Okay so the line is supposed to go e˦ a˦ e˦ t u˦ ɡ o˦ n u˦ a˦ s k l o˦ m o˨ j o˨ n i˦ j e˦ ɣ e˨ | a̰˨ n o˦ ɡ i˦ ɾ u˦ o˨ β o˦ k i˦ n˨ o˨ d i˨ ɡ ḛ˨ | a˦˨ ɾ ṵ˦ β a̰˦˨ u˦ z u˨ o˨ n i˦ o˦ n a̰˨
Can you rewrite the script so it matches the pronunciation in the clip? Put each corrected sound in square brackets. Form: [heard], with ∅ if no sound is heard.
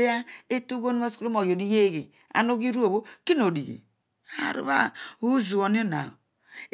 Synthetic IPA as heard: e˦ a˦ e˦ t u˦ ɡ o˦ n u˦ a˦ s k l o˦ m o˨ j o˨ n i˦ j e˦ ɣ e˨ | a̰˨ n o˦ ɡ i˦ ɾ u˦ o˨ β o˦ k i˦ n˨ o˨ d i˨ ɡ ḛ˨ | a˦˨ ɾ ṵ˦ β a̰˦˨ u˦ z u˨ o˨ n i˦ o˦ n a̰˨